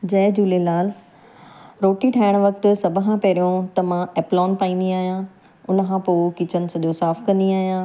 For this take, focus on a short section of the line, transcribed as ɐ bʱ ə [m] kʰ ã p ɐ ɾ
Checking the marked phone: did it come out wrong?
yes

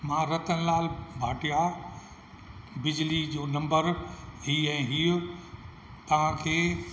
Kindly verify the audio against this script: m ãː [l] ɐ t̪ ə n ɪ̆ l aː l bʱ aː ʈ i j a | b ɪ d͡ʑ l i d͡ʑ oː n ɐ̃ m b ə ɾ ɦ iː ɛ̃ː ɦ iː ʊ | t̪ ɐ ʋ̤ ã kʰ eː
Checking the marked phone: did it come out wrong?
yes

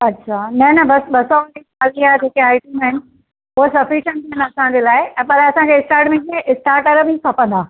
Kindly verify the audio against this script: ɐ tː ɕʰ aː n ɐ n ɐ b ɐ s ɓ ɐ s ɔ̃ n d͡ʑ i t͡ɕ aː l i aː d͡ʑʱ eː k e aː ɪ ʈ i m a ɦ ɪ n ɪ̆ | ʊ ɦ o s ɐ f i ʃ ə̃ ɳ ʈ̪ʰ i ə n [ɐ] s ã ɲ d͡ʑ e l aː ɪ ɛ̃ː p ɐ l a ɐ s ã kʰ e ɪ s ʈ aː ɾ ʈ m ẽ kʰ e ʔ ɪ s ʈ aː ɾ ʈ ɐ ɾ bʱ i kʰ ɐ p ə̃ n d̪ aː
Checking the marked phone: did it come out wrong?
no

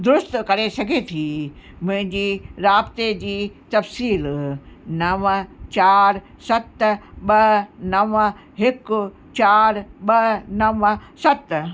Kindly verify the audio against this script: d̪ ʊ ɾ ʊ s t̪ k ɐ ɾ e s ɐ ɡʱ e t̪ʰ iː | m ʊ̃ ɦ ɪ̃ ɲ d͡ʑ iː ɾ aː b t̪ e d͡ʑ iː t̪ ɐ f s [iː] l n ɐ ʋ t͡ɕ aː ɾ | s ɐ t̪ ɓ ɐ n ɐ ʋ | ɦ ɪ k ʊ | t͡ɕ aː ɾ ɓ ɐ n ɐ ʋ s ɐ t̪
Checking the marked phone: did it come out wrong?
no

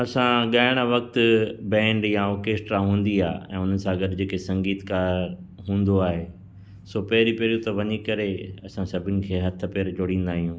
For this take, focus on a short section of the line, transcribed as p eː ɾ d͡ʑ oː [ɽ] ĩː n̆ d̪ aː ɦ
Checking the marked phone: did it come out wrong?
no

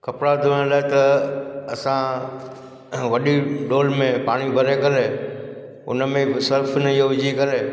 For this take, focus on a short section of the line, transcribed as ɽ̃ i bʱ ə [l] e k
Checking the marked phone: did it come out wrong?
yes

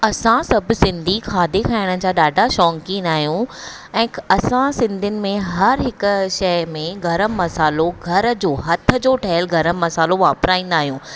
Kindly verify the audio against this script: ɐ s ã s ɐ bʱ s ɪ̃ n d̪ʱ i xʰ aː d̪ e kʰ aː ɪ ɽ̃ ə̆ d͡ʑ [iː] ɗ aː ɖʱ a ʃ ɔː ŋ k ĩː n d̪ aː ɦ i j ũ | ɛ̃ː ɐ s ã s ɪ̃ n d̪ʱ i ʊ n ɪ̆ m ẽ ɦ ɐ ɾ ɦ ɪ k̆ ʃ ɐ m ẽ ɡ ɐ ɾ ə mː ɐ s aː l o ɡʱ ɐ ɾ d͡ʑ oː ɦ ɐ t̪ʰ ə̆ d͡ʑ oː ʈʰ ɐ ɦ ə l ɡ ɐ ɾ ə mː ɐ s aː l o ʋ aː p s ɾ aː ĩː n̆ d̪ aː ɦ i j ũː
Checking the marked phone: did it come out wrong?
yes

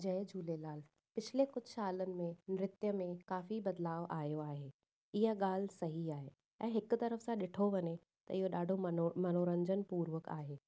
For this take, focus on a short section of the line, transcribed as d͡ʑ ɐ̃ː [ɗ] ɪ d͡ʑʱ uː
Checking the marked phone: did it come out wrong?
yes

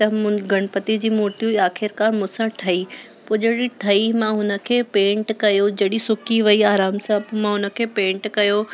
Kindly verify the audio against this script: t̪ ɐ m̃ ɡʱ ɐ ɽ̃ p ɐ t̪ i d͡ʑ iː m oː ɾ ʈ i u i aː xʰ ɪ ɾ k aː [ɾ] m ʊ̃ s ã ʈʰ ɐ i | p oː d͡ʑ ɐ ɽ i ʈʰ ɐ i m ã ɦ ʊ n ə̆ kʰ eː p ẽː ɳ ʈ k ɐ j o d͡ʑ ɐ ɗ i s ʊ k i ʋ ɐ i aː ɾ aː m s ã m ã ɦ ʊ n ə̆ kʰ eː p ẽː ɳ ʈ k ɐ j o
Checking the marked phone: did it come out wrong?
no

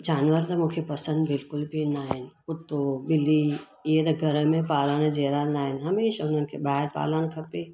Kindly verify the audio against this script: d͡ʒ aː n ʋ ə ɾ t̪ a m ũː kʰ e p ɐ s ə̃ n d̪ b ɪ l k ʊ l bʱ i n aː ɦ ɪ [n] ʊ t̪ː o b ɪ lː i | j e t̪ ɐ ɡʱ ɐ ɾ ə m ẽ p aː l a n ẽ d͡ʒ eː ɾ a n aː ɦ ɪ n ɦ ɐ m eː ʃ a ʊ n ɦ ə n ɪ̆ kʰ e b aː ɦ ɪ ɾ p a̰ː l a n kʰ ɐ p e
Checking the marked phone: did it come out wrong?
no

